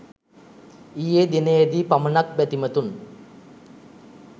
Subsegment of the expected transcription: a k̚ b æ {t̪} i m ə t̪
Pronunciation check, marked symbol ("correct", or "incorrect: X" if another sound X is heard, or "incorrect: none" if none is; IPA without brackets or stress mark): correct